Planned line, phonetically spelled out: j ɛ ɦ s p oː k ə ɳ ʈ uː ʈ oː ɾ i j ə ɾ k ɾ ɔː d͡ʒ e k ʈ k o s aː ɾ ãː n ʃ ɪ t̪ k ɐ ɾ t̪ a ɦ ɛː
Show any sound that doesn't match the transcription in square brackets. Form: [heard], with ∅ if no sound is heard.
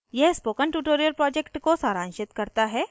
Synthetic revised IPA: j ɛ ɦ s p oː k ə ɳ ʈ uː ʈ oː ɾ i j ə ɾ [p] ɾ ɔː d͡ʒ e k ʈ k o s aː ɾ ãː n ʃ ɪ t̪ k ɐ ɾ t̪ a ɦ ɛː